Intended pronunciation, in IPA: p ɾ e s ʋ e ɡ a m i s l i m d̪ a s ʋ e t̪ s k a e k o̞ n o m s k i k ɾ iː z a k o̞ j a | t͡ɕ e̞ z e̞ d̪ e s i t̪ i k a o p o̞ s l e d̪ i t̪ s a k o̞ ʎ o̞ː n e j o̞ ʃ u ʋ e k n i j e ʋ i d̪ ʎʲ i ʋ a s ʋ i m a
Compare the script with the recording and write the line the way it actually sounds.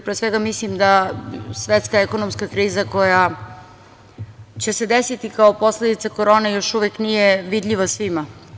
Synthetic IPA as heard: p ɾ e s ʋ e ɡ a m i s l i m d̪ a s ʋ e t̪ s k a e k o̞ n o m s k a k ɾ iː z a k o̞ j a | t͡ɕ e̞ s e̞ d̪ e s i t̪ i k a o p o̞ s l e d̪ i t̪ s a k o̞ ɾ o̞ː n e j o̞ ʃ u ʋ e k n i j e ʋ i d̪ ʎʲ i ʋ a s ʋ i m a